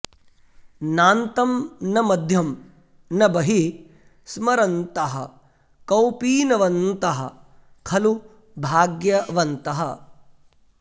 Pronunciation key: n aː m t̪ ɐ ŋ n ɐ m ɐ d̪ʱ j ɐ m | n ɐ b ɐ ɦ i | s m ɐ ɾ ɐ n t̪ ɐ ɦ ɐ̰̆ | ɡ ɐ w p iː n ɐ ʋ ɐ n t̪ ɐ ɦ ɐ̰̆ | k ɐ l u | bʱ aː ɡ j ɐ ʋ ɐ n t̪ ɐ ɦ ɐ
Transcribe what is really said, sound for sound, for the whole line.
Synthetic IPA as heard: n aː n t̪ ɐ m n ɐ m ɐ d̪ʱ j ɐ m | n ɐ b ɐ ɦ i | s m ɐ ɾ ɐ n t̪ ɐ ɦ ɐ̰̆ | k ɐ w p iː n ɐ ʋ ɐ n t̪ ɐ ɦ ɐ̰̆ | kʰ ɐ l u | bʱ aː ɡ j ɐ ʋ ɐ n t̪ ɐ ɦ ɐ